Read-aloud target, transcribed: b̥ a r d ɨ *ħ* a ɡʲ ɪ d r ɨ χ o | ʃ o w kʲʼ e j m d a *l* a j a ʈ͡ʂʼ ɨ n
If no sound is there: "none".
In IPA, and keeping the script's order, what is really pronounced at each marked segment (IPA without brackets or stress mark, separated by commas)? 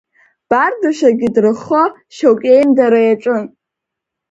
ʃ, ɾ